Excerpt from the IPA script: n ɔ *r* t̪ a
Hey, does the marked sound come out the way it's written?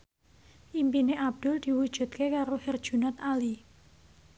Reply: no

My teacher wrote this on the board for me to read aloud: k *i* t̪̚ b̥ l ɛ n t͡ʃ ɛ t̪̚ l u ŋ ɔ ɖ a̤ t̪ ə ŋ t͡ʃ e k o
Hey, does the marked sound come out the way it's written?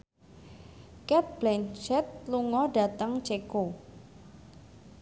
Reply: no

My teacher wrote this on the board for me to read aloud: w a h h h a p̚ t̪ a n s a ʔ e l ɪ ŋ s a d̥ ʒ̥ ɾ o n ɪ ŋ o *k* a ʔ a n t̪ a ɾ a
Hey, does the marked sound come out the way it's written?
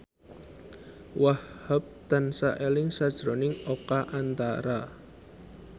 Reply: yes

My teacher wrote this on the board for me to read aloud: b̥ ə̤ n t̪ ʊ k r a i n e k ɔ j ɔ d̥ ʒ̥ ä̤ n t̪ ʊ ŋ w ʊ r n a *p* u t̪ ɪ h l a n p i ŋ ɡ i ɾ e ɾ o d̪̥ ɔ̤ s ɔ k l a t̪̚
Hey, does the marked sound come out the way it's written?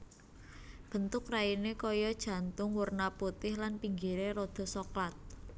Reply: yes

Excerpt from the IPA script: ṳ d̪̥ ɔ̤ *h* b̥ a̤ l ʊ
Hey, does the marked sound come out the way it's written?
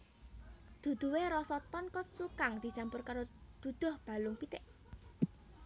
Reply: yes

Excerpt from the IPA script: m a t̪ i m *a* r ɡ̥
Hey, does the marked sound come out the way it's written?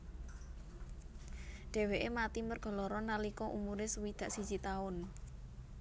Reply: no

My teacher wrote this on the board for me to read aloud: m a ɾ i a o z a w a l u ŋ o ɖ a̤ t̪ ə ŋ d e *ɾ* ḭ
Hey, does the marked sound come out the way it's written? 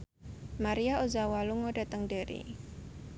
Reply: yes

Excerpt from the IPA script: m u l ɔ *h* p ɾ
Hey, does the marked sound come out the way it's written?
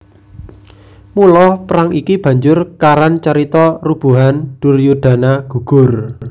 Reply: yes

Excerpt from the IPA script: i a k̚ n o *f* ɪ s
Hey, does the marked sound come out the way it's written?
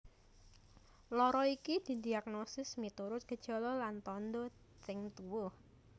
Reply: no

